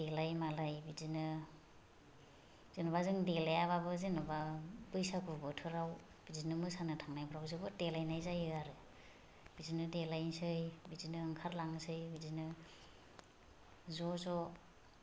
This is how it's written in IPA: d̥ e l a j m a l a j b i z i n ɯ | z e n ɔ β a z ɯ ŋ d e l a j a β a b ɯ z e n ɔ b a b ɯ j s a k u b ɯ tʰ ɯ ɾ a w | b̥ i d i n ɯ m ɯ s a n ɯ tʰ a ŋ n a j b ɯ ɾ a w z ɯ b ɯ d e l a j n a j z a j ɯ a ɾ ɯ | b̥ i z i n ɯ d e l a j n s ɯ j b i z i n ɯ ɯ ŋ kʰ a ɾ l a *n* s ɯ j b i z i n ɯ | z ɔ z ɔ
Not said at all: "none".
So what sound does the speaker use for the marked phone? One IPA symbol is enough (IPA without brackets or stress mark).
ŋ